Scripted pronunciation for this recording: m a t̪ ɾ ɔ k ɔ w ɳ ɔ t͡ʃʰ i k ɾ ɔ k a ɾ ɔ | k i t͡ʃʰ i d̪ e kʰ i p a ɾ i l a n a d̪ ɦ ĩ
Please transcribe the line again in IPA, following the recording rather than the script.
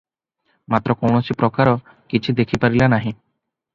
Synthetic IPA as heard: m a t̪ ɾ ɔ k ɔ w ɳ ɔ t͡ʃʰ i p ɾ ɔ k a ɾ ɔ | k i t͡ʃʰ i d̪ e kʰ i p a ɾ i l a n a ɦ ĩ